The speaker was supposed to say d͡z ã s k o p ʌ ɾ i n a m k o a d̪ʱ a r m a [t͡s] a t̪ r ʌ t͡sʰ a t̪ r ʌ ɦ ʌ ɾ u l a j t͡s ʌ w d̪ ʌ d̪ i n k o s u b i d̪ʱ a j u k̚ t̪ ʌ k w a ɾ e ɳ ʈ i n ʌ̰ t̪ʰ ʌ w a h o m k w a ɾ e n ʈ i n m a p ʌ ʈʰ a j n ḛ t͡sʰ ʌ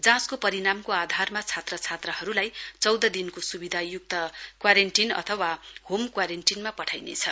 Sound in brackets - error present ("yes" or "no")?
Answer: yes